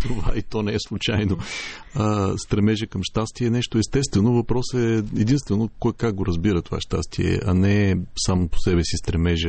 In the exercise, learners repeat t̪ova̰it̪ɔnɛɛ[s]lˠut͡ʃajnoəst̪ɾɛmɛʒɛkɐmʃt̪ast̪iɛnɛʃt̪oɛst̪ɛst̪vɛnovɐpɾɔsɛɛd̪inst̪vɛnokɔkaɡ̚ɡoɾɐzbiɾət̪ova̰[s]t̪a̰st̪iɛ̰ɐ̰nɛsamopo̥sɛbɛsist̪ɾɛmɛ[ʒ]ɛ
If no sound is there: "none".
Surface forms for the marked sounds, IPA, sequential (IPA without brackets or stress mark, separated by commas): s, ʃ, ʒ